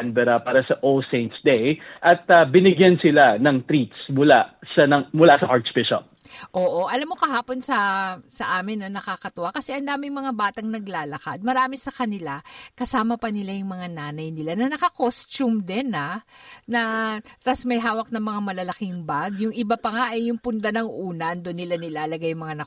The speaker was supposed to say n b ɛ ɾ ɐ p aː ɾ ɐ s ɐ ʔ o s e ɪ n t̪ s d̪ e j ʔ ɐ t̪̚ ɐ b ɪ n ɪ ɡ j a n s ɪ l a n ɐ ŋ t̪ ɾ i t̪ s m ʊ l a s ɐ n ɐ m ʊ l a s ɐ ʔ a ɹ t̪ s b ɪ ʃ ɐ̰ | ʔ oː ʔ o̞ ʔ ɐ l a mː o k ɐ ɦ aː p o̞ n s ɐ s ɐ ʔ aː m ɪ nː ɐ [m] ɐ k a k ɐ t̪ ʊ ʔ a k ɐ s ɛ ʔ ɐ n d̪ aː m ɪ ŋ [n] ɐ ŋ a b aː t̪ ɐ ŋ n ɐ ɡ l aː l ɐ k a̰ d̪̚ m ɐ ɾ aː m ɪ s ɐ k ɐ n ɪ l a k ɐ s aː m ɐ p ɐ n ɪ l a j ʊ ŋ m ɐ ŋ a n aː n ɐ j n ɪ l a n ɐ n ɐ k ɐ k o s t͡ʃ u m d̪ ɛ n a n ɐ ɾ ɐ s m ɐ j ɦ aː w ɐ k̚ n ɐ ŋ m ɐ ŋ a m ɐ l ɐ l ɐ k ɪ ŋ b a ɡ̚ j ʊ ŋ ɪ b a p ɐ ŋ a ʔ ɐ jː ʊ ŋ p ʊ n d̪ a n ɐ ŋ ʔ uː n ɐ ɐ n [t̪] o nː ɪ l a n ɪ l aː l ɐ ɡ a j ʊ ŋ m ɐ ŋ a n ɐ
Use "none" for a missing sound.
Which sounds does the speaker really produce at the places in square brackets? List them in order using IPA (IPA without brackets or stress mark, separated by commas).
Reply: n, m, d̪